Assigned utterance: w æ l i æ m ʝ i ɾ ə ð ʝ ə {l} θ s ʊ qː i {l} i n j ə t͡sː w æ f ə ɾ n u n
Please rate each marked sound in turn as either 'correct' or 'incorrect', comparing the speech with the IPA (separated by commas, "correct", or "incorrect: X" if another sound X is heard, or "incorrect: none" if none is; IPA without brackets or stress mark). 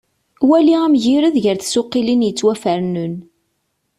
incorrect: ɾ, correct